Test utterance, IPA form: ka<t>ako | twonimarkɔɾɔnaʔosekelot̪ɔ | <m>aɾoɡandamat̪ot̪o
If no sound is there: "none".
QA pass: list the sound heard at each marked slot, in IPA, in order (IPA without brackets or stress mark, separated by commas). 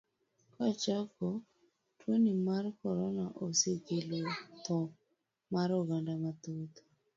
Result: t͡ʃ, m